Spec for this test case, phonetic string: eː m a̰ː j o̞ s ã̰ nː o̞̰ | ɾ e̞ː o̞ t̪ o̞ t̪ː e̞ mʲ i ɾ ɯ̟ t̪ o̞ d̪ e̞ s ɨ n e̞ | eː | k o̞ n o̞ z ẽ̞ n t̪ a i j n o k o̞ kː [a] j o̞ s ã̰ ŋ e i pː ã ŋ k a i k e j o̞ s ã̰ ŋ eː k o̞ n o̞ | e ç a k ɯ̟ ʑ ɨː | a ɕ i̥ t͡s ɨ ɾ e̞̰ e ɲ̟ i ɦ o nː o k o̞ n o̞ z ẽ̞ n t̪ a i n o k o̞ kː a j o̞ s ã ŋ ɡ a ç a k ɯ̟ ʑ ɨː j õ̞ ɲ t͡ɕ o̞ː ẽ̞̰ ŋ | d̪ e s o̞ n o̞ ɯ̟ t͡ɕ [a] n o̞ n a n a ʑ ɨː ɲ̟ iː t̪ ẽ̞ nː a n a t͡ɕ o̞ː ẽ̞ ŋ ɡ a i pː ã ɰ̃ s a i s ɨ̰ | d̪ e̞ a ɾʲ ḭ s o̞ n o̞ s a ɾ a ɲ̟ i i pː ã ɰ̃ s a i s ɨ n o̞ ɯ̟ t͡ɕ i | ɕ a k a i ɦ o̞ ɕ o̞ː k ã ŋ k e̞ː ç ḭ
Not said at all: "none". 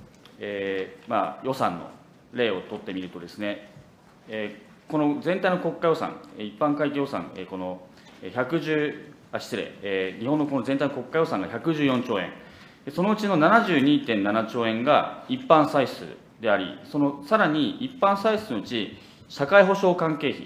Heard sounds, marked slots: a, i

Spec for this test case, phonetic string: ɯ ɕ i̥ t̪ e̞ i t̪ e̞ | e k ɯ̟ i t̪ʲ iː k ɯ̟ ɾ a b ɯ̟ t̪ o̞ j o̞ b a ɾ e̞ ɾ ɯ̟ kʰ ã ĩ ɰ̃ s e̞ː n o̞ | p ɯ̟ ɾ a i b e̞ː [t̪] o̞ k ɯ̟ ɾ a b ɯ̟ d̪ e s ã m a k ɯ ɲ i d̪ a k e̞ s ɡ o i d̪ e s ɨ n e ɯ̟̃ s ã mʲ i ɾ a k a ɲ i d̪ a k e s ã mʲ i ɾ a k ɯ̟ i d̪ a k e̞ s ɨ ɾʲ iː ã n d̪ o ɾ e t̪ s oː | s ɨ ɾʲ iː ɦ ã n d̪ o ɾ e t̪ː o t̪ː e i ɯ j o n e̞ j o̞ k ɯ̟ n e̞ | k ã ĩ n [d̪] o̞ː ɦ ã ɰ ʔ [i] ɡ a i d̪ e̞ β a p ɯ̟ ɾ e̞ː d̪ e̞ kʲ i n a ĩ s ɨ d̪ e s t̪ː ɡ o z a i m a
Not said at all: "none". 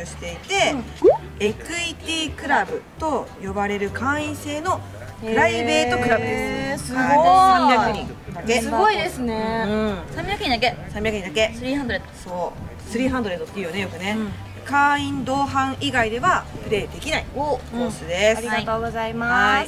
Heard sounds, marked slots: t̪, d̪, i

